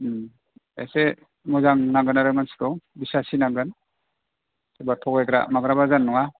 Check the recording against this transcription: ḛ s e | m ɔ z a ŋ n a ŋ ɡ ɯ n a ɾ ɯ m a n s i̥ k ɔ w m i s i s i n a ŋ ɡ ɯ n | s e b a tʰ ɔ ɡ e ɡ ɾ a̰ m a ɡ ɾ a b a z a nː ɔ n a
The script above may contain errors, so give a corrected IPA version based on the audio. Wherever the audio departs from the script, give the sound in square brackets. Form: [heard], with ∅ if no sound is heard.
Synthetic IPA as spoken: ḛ s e | m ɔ z a ŋ n a ŋ ɡ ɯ n a ɾ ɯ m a n s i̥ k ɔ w [b] i s [a] s i n a ŋ ɡ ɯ n | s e b a tʰ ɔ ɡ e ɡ ɾ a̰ m a ɡ ɾ a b a z a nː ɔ [ŋ] a